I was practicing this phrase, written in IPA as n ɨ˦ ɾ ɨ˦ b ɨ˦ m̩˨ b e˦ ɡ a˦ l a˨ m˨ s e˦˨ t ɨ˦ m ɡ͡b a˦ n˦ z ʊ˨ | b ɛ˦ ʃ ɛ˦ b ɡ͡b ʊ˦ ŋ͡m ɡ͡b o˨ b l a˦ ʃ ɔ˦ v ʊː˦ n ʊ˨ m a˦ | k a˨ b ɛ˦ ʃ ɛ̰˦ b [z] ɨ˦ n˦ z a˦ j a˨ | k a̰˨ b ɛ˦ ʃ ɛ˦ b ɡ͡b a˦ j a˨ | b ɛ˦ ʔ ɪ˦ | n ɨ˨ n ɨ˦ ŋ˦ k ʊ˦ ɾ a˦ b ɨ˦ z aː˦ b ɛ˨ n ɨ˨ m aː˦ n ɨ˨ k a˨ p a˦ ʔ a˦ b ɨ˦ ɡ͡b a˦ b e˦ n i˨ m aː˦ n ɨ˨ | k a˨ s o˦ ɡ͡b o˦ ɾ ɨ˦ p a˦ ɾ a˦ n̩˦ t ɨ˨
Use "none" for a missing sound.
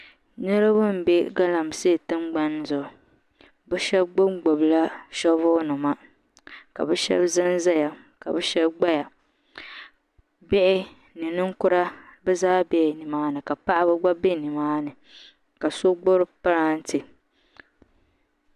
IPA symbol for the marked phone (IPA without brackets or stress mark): z